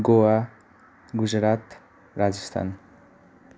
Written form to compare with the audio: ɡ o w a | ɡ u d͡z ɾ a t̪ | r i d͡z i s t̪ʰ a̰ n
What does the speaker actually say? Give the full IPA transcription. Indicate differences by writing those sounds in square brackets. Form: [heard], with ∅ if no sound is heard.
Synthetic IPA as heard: ɡ o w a | ɡ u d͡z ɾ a t̪ | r [a] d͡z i s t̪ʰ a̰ n